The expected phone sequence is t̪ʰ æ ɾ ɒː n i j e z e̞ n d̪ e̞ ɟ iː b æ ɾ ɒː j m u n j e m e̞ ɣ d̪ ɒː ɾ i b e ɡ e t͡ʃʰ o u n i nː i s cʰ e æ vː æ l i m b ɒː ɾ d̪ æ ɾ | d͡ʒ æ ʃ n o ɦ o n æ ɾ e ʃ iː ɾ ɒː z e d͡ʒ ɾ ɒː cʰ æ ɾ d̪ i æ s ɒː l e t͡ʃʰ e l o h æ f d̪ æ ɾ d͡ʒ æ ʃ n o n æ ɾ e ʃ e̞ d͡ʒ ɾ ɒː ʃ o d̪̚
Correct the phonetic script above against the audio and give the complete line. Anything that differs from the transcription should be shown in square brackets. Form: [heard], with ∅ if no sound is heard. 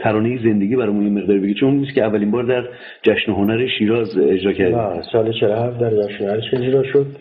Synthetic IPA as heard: t̪ʰ æ ɾ ɒː n [e] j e z e̞ n d̪ e̞ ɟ iː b æ ɾ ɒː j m u n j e m e̞ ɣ d̪ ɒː ɾ i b e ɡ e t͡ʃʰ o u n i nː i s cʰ e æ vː æ l i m b ɒː ɾ d̪ æ ɾ | d͡ʒ æ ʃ n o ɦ o n æ ɾ e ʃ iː ɾ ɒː z e d͡ʒ ɾ ɒː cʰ æ ɾ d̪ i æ s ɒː l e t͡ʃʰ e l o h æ f d̪ æ ɾ d͡ʒ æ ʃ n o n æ ɾ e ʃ e̞ d͡ʒ ɾ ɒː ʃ o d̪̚